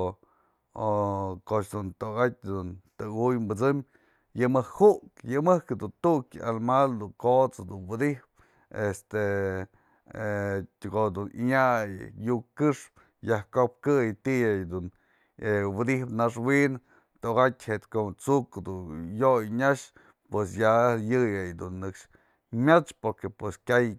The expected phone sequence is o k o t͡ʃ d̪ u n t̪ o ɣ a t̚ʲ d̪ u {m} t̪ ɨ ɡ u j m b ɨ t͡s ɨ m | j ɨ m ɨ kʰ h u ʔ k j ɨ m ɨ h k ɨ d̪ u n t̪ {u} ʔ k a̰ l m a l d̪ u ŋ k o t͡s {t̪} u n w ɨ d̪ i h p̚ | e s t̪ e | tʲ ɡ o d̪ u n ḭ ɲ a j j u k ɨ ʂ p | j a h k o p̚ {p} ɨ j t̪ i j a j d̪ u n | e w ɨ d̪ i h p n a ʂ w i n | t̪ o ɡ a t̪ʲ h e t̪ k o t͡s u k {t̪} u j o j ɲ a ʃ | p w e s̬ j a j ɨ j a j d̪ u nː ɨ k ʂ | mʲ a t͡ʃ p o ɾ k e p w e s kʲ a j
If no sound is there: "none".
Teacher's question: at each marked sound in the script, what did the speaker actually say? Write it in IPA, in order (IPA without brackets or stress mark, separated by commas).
n, u, d̪, k, d̪